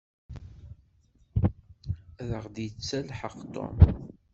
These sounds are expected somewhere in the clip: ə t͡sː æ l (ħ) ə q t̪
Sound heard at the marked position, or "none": ħ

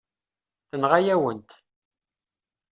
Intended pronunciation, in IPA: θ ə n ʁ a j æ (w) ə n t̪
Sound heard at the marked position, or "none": w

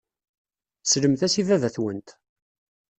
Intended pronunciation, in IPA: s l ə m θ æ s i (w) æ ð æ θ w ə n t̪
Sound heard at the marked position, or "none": v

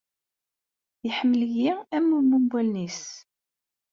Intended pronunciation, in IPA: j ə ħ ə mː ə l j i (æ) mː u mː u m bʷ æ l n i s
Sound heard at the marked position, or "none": æ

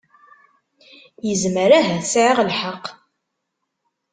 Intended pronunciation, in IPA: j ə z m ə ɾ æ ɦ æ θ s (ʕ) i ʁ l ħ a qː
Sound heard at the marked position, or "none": ʕ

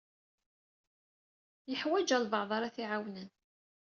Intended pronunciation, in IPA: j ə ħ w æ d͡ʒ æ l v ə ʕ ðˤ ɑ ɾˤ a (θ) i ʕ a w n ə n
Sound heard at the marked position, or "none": θ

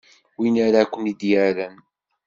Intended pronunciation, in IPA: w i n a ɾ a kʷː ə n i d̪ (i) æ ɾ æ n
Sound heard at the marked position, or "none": j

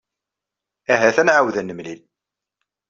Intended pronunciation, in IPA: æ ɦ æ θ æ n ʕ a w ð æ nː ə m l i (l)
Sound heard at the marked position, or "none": l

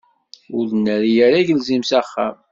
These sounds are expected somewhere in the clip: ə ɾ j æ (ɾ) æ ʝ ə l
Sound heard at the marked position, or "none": ɾ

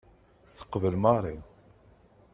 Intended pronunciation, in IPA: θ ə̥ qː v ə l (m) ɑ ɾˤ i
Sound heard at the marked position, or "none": m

